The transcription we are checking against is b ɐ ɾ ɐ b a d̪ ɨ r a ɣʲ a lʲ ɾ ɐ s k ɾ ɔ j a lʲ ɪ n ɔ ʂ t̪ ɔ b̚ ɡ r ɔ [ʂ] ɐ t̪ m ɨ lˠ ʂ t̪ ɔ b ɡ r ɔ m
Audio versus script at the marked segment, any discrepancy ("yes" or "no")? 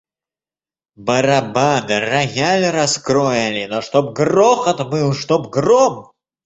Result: yes